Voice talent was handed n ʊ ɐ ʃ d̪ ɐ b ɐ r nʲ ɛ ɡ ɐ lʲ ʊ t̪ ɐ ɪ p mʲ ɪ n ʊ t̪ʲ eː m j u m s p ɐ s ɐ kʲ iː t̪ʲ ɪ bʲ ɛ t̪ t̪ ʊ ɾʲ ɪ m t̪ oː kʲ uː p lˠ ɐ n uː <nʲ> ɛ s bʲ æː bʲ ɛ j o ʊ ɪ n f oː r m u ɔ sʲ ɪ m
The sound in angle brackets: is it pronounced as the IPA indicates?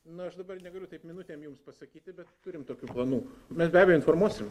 no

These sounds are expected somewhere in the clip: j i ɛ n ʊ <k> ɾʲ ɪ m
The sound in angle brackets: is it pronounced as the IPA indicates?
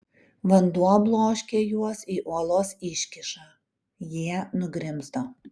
no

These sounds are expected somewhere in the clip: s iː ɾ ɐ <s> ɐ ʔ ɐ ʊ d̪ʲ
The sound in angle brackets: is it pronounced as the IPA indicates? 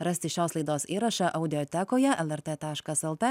no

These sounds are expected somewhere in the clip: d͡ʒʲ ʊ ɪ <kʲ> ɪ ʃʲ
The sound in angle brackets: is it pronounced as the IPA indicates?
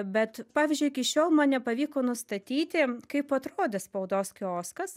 yes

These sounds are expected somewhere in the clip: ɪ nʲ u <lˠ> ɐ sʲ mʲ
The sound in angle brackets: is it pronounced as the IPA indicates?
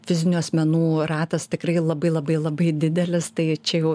no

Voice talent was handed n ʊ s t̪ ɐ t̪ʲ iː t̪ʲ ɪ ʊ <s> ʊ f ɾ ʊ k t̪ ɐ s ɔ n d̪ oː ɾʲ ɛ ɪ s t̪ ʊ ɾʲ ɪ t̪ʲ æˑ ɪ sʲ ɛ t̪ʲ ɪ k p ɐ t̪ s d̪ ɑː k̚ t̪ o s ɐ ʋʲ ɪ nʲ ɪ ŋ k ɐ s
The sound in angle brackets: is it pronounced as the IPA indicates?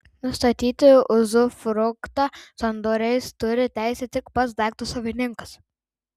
no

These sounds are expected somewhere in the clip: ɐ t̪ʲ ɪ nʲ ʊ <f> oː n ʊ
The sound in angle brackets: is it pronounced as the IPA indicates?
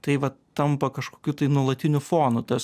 yes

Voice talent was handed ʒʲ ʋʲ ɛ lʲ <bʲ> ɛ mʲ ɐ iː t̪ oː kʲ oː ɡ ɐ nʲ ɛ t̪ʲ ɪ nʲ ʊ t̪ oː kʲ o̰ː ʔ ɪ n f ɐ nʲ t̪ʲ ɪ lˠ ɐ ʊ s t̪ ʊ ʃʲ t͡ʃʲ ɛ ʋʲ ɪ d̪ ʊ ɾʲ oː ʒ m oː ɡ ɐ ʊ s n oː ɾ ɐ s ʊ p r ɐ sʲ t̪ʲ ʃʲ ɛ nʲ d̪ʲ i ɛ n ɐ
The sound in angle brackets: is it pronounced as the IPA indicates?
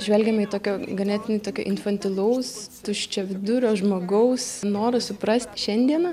no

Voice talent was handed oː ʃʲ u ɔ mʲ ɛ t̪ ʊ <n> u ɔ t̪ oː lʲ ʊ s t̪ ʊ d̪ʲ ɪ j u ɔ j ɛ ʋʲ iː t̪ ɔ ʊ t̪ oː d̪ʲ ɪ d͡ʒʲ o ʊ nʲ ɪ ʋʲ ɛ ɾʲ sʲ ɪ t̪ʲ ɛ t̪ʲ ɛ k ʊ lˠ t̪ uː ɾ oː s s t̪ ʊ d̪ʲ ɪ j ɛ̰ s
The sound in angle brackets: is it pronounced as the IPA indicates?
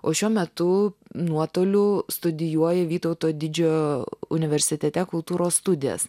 yes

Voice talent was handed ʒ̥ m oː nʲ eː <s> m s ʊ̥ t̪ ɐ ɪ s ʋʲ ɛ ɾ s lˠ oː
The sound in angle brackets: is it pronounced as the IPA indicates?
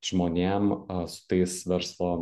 no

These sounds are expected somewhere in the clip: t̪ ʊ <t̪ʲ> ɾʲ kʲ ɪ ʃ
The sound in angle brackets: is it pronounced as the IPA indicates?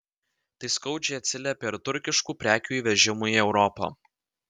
no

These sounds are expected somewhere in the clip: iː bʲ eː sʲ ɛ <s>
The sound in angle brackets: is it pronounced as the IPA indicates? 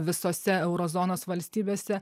no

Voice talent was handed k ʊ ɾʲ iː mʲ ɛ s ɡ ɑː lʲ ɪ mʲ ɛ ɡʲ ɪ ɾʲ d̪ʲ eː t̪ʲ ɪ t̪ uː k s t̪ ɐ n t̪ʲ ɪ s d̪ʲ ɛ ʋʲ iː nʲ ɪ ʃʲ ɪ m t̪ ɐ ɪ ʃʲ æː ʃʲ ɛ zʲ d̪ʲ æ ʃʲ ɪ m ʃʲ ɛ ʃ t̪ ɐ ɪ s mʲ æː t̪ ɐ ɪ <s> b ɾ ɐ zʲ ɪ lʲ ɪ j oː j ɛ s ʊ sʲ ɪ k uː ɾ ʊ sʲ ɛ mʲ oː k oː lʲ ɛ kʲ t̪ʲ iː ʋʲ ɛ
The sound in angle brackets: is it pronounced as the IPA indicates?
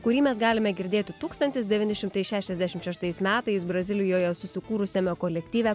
yes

